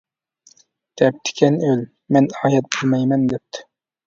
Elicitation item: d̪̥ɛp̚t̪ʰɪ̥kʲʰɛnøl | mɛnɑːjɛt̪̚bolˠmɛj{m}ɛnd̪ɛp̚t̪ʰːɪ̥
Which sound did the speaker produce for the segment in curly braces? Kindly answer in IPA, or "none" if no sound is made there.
m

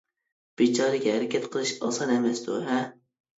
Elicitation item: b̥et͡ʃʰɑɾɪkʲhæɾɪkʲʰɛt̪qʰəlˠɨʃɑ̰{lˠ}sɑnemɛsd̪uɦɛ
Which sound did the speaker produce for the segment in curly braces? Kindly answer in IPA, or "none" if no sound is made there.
none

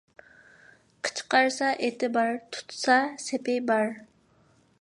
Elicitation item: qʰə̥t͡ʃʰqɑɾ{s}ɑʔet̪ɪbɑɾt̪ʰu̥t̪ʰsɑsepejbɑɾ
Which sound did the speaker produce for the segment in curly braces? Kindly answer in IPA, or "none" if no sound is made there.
s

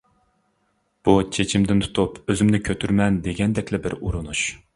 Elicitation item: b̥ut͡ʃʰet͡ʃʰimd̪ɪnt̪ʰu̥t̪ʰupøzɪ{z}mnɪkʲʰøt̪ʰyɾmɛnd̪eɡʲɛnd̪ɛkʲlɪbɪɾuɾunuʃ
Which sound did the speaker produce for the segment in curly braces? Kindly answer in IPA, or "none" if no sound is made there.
none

